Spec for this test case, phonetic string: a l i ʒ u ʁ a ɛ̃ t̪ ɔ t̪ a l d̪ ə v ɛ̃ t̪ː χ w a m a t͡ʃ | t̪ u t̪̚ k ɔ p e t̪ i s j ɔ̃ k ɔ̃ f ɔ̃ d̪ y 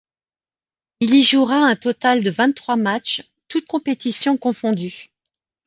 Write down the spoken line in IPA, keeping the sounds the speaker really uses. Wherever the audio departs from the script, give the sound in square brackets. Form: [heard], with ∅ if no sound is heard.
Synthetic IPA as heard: [i] l i ʒ u ʁ a ɛ̃ t̪ ɔ t̪ a l d̪ ə v ɛ̃ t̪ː χ w a m a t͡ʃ | t̪ u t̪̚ k [ɔ̃] p e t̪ i s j ɔ̃ k ɔ̃ f ɔ̃ d̪ y